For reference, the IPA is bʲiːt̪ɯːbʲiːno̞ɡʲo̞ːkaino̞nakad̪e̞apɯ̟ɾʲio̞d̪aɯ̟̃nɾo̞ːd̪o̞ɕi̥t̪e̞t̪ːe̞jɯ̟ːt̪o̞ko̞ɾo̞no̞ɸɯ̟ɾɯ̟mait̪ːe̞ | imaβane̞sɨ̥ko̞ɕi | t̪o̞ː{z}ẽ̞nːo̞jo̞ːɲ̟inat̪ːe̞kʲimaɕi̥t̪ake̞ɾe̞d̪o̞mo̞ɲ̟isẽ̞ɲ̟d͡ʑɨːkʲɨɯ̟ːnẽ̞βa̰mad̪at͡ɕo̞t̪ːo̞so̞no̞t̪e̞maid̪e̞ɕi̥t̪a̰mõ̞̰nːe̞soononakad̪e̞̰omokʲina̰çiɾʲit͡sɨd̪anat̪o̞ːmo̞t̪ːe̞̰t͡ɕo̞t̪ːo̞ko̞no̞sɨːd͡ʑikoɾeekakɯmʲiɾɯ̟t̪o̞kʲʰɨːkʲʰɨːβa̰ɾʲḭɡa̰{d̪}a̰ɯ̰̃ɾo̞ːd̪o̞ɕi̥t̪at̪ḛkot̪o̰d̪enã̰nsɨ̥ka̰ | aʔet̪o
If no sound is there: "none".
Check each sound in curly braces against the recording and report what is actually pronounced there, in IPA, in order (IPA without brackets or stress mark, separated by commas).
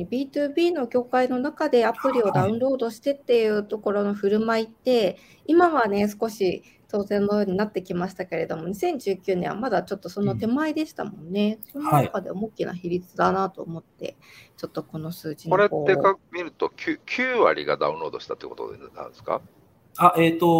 z, d̪